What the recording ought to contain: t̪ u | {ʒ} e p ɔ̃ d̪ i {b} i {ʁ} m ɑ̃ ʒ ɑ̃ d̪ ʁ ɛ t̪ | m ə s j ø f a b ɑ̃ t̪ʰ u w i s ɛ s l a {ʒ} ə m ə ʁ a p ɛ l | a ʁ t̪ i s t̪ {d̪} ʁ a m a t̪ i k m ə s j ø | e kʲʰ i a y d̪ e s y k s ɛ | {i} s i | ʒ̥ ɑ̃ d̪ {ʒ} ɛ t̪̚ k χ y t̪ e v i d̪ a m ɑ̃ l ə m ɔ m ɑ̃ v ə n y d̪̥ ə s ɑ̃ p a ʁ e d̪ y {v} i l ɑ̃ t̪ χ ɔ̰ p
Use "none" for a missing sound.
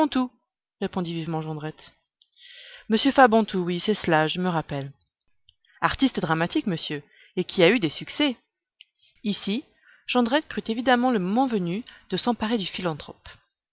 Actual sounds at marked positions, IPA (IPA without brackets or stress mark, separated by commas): ʁ, v, v, ʒ, d̪, i, ʁ, f